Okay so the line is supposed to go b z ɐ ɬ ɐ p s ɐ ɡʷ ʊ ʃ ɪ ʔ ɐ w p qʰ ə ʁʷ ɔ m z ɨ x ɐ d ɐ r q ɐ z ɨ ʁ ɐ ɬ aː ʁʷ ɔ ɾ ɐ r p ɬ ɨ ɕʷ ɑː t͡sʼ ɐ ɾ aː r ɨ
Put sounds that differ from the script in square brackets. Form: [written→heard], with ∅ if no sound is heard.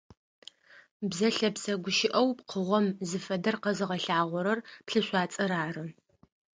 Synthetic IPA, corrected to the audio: b z ɐ ɬ ɐ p s ɐ ɡʷ ʊ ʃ ɪ ʔ ɐ w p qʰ ə ʁʷ ɔ m z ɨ [x→f] ɐ d ɐ r q ɐ z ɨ ʁ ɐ ɬ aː ʁʷ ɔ ɾ ɐ r p ɬ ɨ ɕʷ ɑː t͡sʼ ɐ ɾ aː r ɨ